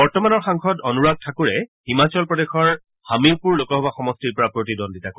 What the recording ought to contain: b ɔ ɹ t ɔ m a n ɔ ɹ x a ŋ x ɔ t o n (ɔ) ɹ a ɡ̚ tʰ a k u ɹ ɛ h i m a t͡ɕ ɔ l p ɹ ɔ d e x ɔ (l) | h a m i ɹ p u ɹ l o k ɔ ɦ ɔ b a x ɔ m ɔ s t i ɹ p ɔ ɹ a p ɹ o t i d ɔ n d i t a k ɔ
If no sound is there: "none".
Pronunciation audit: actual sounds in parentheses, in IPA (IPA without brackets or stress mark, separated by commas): u, ɹ